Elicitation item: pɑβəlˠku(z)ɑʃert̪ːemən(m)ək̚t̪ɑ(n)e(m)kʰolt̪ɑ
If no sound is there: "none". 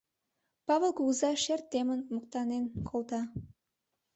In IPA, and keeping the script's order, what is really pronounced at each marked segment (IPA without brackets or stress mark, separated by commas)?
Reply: z, m, n, n